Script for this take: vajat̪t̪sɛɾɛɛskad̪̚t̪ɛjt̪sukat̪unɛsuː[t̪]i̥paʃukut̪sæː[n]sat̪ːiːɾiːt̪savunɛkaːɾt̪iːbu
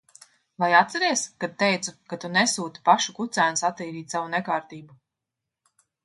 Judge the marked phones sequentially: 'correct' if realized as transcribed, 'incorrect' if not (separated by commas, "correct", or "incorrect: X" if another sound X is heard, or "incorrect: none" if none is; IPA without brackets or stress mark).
correct, correct